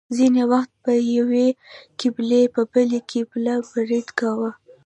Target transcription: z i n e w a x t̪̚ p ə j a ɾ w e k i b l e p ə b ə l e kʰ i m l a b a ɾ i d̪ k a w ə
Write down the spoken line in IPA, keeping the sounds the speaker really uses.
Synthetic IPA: z i n e w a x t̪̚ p ə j a w e k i b l e p ə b ə l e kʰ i b l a b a ɾ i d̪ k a w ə